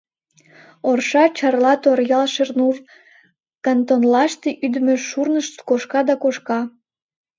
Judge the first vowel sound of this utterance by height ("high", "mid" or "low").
mid